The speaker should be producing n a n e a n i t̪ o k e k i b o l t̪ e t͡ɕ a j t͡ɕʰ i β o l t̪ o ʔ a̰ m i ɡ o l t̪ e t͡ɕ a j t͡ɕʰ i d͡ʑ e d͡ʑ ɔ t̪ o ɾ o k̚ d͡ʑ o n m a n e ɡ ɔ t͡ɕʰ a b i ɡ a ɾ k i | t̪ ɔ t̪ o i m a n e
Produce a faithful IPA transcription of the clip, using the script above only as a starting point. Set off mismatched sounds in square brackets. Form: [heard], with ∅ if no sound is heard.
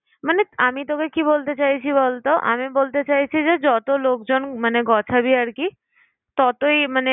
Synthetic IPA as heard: [m] a n e a [m] i t̪ o k e k i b o l t̪ e t͡ɕ a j t͡ɕʰ i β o l t̪ o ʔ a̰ m i [b] o l t̪ e t͡ɕ a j t͡ɕʰ i d͡ʑ e d͡ʑ ɔ t̪ o [l] o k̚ d͡ʑ o n m a n e ɡ ɔ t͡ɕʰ a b i [∅] a ɾ k i | t̪ ɔ t̪ o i m a n e